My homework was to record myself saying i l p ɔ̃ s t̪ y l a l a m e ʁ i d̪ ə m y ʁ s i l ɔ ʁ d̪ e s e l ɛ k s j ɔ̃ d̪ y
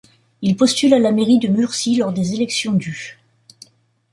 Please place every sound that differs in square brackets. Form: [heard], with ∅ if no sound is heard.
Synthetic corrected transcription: i l p [ɔ] s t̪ y l a l a m e ʁ i d̪ ə m y ʁ s i l ɔ ʁ d̪ e [z] e l ɛ k s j ɔ̃ d̪ y